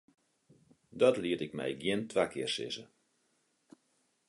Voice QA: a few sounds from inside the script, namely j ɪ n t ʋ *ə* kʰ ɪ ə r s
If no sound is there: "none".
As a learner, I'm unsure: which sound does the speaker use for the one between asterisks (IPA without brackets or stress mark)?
a